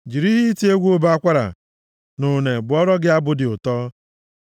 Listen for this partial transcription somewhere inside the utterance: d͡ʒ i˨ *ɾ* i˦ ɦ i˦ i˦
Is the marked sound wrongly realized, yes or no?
no